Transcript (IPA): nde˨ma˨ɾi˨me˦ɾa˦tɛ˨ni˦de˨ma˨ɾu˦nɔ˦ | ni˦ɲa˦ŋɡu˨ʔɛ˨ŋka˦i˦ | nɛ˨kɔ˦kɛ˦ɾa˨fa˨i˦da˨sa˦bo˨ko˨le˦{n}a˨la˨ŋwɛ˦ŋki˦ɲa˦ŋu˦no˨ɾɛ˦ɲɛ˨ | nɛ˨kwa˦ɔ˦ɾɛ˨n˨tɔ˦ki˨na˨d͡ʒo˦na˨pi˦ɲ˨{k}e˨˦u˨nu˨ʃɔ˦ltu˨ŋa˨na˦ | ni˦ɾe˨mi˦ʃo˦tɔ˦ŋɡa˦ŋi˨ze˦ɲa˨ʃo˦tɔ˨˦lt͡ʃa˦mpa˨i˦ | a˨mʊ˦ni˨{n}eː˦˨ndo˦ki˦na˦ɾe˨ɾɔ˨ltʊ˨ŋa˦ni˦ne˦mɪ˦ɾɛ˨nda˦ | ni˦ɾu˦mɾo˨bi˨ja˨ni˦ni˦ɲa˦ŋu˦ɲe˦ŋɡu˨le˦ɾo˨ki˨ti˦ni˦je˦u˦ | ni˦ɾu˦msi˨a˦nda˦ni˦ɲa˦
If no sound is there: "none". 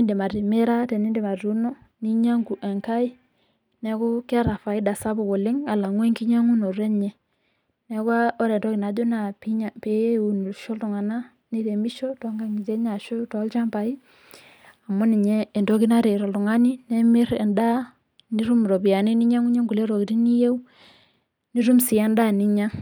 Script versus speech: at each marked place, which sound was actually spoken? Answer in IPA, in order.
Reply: ŋ, p, ɲ

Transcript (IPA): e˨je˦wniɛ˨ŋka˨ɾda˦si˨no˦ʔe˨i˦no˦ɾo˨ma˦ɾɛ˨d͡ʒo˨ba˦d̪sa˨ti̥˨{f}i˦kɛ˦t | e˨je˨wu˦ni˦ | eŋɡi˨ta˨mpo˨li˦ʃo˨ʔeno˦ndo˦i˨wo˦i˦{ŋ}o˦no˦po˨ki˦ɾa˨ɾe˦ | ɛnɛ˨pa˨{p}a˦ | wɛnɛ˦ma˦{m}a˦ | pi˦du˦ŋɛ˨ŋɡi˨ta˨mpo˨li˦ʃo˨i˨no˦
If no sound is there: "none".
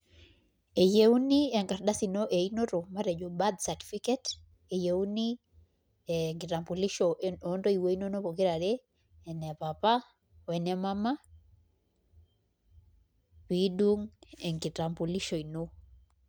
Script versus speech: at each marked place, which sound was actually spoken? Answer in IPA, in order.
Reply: f, n, p, m

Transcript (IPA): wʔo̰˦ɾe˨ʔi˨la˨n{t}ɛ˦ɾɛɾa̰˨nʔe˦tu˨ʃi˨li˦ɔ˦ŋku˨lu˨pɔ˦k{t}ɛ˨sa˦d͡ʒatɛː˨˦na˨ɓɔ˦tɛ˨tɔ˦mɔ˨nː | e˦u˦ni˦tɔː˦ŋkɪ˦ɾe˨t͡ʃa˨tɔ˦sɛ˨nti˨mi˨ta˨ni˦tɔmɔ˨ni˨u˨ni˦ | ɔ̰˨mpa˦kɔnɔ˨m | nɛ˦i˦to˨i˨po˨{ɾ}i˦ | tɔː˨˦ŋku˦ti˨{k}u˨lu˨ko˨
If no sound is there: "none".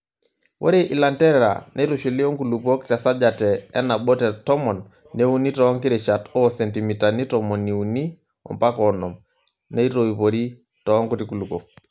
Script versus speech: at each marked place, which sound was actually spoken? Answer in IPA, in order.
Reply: t, t, ɾ, k

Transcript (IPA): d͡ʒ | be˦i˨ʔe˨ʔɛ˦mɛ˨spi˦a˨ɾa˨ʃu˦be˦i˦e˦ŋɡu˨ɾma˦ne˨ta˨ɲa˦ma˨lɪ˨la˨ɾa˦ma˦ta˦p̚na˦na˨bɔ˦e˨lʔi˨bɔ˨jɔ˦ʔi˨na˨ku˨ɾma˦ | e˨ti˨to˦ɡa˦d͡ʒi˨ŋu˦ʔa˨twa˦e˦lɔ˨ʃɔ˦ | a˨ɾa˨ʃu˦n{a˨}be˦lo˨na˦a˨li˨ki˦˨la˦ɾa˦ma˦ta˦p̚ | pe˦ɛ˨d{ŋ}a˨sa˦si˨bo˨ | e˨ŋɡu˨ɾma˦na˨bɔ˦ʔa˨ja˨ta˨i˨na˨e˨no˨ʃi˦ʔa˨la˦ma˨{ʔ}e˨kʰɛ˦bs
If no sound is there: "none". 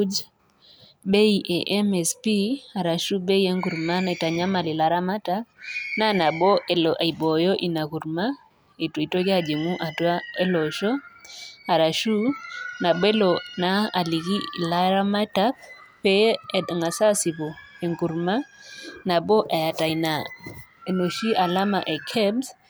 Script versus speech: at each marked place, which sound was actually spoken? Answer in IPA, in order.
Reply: a˨, ŋ, ʔ

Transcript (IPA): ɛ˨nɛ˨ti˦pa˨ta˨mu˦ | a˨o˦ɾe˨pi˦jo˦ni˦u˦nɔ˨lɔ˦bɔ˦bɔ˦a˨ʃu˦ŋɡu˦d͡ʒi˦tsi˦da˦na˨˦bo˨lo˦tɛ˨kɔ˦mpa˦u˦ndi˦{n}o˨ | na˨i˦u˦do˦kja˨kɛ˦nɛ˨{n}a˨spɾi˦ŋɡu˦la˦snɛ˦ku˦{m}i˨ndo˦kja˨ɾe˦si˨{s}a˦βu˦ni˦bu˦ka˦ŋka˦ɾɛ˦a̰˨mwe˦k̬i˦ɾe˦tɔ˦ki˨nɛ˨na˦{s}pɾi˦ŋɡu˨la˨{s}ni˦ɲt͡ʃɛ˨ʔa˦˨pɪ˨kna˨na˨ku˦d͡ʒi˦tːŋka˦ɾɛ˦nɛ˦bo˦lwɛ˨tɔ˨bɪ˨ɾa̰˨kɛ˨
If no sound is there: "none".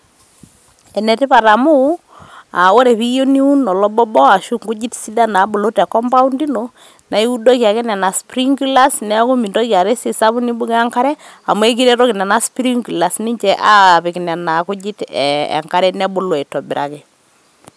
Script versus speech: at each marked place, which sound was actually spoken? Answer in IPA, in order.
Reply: n, n, m, s, s, s

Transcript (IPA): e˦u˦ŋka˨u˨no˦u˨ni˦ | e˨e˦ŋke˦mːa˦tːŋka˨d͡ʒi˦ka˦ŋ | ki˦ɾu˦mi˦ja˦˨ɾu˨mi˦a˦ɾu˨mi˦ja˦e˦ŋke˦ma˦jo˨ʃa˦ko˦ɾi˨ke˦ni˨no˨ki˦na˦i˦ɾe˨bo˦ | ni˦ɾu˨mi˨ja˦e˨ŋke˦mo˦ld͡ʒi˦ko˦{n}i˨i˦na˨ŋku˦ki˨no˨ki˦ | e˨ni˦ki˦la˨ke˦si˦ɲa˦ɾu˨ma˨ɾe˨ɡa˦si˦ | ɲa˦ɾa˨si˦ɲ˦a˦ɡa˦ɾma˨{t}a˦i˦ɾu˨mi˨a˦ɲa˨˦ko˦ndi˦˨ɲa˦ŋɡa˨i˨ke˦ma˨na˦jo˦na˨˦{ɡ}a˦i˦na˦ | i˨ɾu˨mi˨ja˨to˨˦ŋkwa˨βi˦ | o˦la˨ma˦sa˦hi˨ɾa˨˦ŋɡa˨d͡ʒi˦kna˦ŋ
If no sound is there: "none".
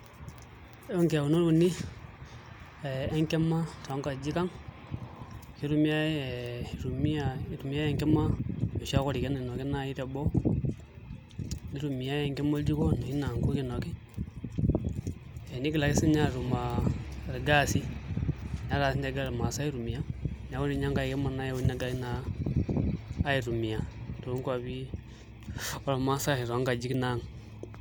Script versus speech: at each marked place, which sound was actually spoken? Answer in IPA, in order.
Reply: n, s, ɡ

